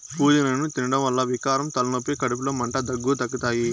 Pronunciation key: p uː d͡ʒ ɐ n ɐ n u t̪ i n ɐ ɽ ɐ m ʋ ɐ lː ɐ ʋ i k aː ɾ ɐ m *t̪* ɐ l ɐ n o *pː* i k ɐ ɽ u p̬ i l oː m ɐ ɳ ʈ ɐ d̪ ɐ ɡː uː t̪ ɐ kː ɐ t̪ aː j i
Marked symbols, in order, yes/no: yes, yes

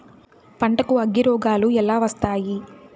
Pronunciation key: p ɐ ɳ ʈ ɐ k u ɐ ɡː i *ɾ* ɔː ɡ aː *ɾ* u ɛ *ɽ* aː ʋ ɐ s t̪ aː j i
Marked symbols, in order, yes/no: yes, no, no

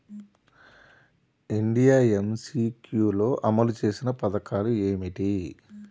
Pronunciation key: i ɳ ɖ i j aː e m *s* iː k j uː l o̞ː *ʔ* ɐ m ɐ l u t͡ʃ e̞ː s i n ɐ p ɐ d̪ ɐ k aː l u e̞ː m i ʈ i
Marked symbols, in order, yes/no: yes, yes

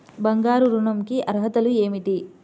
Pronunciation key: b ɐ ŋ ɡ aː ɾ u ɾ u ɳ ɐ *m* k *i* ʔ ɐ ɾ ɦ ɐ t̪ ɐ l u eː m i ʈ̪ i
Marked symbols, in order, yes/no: yes, yes

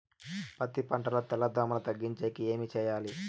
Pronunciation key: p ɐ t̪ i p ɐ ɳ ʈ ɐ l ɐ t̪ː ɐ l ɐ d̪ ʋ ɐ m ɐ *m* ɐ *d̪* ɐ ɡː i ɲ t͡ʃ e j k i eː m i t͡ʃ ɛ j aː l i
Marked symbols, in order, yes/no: no, no

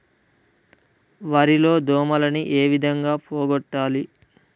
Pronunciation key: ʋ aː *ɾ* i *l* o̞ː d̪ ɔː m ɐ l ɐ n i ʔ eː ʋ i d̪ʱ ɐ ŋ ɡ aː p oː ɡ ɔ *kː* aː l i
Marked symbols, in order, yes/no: yes, yes, no

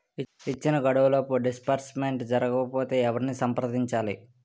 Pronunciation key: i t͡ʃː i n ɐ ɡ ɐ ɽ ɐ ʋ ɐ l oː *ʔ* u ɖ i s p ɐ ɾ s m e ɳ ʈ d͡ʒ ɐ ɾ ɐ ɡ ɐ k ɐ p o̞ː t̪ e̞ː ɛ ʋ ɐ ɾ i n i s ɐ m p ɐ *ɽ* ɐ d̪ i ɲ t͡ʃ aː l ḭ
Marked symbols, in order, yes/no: no, no

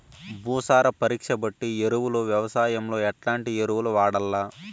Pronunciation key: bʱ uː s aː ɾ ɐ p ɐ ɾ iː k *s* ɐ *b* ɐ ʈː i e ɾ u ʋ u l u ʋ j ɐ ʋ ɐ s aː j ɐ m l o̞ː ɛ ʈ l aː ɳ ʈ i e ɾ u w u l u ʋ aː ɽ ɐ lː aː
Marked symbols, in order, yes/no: no, yes

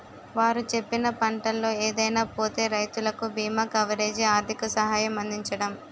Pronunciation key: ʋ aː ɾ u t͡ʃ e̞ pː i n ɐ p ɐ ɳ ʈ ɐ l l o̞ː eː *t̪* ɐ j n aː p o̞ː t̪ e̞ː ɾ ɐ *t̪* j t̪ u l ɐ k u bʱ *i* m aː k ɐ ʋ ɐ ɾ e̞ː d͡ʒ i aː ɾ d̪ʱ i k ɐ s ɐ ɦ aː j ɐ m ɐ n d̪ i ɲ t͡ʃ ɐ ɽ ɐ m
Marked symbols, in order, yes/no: no, no, no

